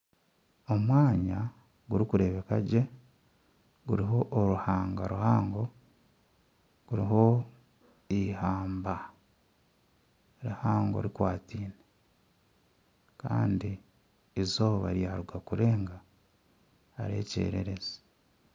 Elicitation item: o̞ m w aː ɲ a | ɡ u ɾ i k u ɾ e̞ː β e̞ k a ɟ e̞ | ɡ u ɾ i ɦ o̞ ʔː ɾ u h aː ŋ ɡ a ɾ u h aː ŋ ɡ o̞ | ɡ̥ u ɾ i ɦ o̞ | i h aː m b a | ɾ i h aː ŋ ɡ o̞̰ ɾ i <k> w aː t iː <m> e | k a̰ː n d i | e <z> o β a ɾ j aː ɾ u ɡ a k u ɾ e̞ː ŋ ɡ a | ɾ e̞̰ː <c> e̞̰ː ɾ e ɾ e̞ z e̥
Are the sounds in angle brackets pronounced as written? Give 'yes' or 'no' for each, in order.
yes, no, yes, yes

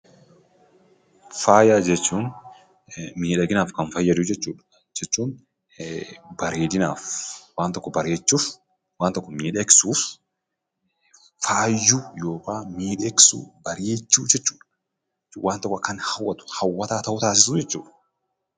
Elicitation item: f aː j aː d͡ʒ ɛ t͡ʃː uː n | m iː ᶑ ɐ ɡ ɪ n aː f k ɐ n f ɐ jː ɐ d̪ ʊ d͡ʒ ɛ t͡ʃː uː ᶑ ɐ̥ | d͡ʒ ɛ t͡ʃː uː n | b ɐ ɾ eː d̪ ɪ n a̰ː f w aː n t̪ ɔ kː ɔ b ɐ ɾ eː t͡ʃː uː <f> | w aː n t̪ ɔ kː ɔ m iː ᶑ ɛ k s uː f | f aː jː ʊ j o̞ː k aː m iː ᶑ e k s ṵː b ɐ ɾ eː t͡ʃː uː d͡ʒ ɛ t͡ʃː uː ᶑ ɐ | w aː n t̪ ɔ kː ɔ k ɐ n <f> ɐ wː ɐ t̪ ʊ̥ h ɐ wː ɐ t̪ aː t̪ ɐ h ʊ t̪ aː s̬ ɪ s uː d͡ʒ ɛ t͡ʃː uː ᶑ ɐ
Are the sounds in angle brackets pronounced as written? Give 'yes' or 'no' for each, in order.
yes, no

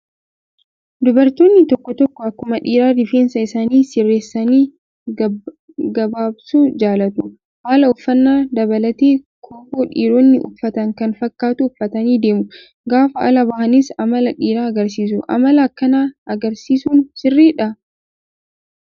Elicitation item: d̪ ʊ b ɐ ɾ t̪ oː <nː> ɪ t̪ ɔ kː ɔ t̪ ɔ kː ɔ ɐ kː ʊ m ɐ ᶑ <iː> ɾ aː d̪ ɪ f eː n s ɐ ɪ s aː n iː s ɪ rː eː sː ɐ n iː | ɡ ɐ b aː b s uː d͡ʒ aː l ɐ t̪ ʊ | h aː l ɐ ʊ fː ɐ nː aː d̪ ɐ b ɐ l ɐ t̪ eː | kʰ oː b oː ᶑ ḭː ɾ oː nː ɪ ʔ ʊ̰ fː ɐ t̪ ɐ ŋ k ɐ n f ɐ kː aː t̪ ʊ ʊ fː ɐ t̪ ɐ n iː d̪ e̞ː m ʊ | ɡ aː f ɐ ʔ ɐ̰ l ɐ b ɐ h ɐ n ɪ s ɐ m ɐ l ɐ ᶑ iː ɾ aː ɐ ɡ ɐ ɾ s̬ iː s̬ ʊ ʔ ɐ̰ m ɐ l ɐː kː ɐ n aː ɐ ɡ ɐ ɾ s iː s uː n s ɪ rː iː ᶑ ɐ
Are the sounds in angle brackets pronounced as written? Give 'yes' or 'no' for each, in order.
yes, yes

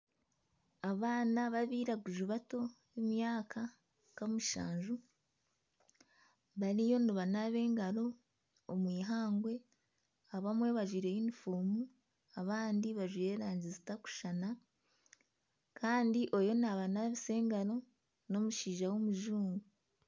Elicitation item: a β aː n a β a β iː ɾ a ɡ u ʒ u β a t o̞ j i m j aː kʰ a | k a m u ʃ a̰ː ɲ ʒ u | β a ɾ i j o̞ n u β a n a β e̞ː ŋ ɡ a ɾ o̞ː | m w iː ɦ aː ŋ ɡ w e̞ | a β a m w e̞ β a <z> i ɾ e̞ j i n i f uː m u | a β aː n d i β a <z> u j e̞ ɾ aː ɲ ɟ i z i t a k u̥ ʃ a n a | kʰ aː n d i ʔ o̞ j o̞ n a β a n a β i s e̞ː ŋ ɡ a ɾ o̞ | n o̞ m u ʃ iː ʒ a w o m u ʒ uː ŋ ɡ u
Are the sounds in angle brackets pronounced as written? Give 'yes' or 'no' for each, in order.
no, no

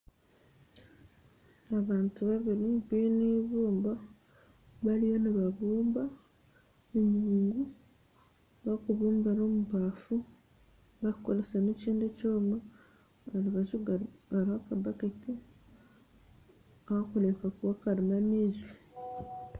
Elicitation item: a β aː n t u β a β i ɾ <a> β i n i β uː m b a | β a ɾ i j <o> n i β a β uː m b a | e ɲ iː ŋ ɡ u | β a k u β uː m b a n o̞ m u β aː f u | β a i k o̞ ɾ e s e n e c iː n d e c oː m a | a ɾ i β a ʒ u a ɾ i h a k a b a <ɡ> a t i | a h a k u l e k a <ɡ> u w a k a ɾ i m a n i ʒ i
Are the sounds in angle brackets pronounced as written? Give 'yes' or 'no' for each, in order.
no, yes, no, no

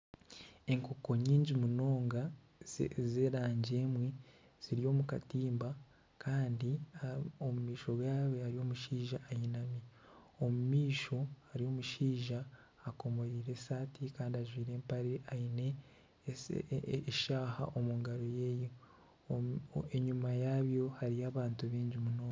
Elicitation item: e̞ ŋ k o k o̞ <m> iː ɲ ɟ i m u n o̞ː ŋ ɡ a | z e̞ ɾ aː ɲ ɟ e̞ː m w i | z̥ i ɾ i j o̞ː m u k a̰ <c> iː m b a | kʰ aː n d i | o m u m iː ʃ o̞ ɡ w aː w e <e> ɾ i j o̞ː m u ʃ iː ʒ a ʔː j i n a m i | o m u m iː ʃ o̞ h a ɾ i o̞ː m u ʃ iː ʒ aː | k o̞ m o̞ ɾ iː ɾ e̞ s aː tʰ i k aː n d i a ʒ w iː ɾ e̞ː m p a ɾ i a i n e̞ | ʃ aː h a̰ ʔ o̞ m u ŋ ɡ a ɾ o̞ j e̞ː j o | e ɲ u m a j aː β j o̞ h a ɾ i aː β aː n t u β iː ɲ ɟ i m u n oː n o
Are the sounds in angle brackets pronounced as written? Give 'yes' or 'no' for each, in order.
no, no, no

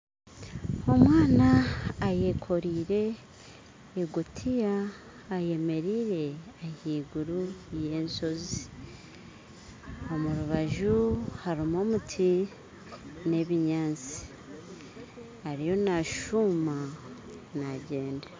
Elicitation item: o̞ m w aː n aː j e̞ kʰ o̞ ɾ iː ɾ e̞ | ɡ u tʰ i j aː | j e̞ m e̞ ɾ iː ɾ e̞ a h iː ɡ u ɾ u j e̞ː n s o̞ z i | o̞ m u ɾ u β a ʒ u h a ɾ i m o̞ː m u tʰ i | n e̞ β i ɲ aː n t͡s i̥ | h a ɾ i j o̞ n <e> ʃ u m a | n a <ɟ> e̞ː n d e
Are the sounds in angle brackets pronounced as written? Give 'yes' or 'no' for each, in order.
no, yes

